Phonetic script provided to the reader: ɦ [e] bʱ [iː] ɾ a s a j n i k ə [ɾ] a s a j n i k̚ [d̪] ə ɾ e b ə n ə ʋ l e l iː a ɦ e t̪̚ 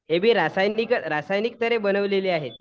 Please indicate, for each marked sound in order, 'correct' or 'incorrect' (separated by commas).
correct, correct, correct, incorrect